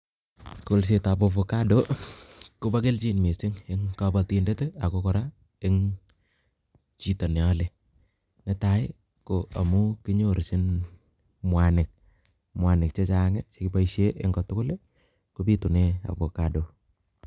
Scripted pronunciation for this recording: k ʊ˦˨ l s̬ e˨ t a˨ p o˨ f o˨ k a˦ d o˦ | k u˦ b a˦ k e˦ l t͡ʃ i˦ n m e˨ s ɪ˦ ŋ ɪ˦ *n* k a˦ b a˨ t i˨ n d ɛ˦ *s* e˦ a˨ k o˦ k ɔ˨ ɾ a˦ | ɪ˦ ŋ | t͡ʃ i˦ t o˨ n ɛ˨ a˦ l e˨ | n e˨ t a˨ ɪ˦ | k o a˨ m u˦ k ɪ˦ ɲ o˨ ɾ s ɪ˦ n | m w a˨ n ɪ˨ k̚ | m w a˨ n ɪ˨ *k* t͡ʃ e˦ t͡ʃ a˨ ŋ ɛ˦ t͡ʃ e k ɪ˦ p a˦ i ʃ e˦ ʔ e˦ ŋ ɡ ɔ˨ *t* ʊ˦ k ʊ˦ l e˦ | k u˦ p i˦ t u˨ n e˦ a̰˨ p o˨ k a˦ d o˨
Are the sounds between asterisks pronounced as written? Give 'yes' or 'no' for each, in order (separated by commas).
no, no, yes, yes